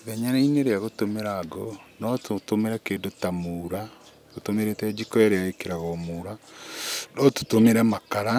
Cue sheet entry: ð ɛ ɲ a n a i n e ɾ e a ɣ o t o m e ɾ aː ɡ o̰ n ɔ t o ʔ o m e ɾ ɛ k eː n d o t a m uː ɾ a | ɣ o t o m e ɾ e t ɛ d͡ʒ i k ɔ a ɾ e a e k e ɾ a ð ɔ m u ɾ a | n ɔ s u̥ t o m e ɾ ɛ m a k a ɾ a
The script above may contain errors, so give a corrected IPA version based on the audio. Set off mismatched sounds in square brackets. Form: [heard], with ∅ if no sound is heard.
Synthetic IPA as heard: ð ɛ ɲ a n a i n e ɾ e a ɣ o t o m e ɾ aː ɡ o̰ n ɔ t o [t] o m e ɾ ɛ k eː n d o t a m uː ɾ a | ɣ o t o m e ɾ e t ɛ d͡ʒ i k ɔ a ɾ e a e k e ɾ a [ɣ] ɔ m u ɾ a | n ɔ [t] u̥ t o m e ɾ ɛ m a k a ɾ a